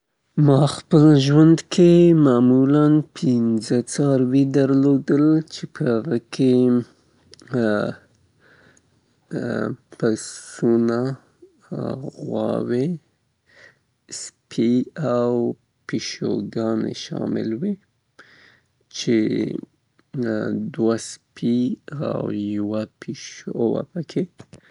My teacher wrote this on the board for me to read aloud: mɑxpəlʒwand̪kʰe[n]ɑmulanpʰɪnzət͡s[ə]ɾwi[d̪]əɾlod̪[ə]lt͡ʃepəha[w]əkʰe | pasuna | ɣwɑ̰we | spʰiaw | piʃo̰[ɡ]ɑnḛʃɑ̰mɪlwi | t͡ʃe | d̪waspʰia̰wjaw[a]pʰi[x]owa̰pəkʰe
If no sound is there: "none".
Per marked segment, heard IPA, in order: m, ɑ, d̪, ə, ɣ, ɡ, a, ʃ

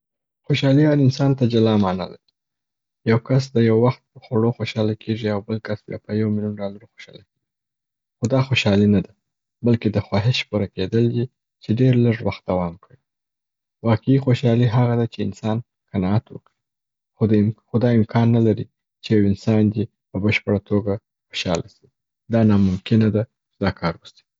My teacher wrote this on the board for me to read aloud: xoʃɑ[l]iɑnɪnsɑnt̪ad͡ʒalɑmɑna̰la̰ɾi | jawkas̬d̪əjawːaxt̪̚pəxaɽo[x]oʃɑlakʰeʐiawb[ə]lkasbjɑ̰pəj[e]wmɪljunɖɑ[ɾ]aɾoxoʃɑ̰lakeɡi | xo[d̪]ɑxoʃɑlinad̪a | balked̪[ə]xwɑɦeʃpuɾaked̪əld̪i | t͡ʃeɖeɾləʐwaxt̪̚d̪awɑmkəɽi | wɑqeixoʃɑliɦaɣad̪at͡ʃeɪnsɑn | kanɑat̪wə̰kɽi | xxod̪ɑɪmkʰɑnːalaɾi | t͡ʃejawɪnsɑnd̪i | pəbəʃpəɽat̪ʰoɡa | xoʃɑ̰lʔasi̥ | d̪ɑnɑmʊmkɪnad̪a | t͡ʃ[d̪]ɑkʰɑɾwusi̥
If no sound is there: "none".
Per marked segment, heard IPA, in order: l, x, ə, a, l, d̪, ə, d̪

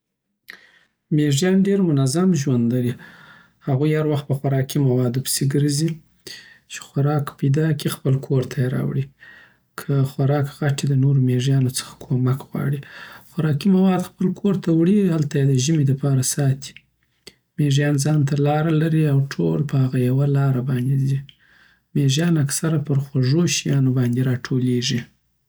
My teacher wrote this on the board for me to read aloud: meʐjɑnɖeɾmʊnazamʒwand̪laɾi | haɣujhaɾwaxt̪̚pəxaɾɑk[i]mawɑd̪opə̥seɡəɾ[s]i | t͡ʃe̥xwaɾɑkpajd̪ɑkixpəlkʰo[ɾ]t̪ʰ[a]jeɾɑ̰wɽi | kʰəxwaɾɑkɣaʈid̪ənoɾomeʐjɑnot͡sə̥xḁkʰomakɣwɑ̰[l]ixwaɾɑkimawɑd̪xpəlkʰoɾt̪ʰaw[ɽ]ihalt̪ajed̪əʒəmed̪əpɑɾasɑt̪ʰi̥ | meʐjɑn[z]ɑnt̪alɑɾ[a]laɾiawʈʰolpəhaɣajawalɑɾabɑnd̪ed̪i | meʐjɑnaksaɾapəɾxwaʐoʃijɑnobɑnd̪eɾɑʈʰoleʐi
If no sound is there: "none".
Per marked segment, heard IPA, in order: i, z, ɾ, a, ɽ, ɽ, z, a

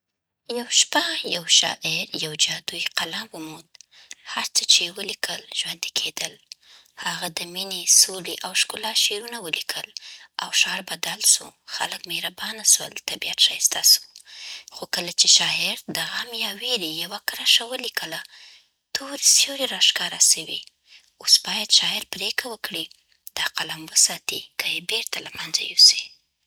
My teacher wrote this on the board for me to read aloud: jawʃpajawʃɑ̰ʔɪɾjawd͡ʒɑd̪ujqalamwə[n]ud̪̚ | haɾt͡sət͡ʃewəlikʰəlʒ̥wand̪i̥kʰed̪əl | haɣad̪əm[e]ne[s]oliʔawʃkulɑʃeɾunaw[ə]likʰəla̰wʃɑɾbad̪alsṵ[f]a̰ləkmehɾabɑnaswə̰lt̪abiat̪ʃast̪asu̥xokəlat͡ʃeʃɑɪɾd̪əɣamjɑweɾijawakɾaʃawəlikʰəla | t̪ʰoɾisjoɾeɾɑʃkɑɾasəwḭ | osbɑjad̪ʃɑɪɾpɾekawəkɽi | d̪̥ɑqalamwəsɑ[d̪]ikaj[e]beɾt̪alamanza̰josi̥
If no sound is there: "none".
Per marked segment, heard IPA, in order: m, i, s, ə, x, t̪, e

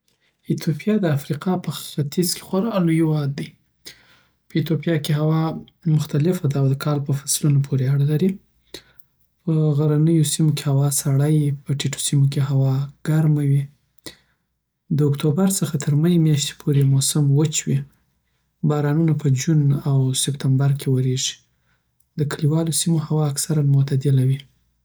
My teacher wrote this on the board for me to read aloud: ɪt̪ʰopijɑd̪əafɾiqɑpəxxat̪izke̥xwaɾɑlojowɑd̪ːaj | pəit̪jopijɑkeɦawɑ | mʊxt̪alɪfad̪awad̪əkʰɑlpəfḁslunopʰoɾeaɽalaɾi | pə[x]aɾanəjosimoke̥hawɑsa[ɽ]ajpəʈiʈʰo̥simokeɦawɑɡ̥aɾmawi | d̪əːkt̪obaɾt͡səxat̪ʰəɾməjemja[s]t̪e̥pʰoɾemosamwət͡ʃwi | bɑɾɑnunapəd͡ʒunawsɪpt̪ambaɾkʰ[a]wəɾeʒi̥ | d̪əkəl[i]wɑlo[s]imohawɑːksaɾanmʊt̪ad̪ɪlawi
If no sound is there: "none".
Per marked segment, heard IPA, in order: ɣ, ɽ, ʃ, e, i, s

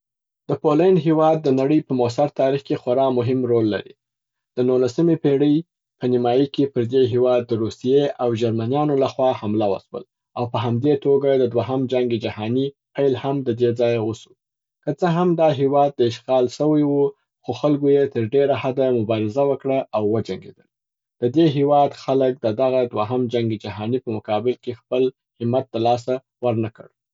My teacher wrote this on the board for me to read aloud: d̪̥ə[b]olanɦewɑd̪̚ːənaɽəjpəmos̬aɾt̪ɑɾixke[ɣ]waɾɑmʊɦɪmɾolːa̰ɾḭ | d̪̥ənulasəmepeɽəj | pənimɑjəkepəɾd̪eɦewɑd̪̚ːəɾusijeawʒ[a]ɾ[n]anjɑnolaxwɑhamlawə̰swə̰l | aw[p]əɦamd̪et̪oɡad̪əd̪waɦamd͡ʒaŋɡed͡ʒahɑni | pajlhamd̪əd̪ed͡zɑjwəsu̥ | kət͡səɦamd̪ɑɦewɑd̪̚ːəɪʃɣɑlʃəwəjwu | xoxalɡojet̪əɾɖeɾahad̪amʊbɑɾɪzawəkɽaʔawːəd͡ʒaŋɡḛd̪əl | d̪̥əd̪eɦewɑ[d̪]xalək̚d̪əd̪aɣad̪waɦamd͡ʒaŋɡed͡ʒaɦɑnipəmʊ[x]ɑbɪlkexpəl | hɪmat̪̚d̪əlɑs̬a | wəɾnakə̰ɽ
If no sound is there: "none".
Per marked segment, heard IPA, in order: p, x, a, m, p, d̪, k

